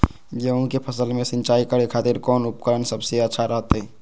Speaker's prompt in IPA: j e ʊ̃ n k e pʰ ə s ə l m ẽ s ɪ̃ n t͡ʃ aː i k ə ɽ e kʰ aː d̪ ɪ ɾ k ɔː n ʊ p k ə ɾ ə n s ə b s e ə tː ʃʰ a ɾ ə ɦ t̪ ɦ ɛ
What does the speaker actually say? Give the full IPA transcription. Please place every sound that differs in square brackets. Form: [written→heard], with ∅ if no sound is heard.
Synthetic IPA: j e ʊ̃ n k e pʰ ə s ə l m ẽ s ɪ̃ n t͡ʃ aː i k ə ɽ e kʰ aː [d̪→t̪] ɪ ɾ k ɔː n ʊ p k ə ɾ ə n s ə b s e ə tː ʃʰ a ɾ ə ɦ t̪ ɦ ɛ

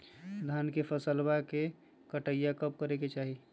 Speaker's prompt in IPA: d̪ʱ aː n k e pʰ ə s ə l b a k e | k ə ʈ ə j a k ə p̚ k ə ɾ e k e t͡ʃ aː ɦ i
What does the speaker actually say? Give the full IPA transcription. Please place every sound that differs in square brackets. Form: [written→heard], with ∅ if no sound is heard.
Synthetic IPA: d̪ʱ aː n k e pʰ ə s ə l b a k e | k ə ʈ ə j a k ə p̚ k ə ɾ e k e t͡ʃ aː ɦ i

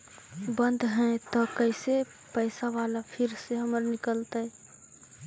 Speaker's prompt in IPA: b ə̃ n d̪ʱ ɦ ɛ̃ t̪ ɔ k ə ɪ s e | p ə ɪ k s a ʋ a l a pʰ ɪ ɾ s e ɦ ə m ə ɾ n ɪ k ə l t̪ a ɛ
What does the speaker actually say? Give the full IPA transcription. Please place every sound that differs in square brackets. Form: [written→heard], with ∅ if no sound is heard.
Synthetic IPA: b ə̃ n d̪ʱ ɦ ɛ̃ t̪ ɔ k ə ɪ s e | p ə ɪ [k→∅] s a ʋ a l a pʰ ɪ ɾ s e ɦ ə m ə ɾ n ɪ k ə l t̪ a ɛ

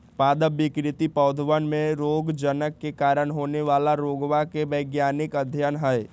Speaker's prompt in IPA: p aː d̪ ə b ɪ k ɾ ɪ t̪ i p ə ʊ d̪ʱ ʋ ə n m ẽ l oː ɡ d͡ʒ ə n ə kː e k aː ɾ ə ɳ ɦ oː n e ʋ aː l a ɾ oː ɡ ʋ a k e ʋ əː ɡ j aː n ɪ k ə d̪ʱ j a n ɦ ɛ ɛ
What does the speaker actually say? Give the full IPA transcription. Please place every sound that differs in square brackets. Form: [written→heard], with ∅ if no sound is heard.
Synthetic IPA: p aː d̪ ə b ɪ k ɾ ɪ t̪ i p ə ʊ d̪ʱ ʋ ə n m ẽ [l→ɾ] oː ɡ d͡ʒ ə n ə kː e k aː ɾ ə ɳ ɦ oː n e ʋ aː l a ɾ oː ɡ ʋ a k e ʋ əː ɡ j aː n ɪ k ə d̪ʱ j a n ɦ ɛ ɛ

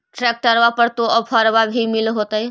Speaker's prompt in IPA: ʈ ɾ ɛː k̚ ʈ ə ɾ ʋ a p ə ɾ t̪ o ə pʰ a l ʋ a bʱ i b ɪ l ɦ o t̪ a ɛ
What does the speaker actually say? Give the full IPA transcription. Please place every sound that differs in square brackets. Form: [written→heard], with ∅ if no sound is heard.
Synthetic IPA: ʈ ɾ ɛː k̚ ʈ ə ɾ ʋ a p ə ɾ t̪ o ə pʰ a [l→ɾ] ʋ a bʱ i [b→m] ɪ l ɦ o t̪ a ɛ

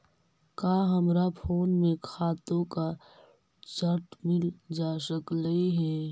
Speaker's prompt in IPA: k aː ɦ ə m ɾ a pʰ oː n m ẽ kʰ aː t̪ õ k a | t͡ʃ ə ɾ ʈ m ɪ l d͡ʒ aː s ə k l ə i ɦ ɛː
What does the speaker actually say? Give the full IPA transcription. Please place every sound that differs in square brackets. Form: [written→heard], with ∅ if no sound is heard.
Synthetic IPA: k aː ɦ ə m ɾ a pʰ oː n m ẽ kʰ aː t̪ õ k a | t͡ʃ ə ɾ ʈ m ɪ l d͡ʒ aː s ə k l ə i ɦ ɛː

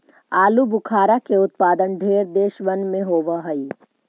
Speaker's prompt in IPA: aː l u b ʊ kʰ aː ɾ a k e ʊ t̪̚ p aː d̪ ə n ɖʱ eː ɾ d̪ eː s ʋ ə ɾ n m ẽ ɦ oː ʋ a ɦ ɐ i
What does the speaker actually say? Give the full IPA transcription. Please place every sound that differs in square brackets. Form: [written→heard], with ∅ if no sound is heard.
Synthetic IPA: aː l u b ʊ kʰ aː ɾ a k e ʊ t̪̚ p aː d̪ ə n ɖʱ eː ɾ d̪ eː [s→ʃ] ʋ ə [ɾ→∅] n m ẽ ɦ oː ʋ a ɦ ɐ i

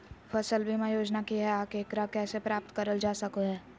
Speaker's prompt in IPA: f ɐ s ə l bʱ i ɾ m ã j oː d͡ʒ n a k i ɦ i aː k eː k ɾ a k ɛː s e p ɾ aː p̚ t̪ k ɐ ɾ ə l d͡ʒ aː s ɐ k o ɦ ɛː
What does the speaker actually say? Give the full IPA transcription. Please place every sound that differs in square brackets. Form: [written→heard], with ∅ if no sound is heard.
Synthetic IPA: f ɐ s ə l bʱ i [ɾ→∅] m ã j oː d͡ʒ n a k i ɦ [i→ɛ] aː k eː k ɾ a k ɛː s e p ɾ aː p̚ t̪ k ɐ ɾ ə l d͡ʒ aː s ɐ k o ɦ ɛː

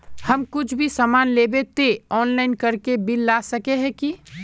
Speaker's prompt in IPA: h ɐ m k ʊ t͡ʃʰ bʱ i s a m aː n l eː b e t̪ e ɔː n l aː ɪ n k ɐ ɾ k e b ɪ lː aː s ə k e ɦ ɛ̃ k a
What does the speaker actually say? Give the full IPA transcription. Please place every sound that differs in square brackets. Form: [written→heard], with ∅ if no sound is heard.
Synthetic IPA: h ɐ m k ʊ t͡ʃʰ bʱ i s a m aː n l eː b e t̪ e ɔː n l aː ɪ n k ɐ ɾ k e b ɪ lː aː s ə k e ɦ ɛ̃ k [a→i]

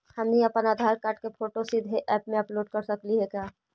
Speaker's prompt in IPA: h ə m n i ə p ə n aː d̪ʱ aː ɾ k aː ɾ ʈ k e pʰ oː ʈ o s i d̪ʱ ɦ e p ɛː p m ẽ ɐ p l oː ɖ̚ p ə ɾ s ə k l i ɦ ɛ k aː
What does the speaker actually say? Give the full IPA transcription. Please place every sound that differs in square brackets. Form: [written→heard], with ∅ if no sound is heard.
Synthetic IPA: h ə m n i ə p ə n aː d̪ʱ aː ɾ k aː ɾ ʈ k e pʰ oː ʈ o s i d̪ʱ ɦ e [p→ʔ] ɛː p m ẽ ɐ p l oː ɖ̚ [p→k] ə ɾ s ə k l i ɦ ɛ k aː

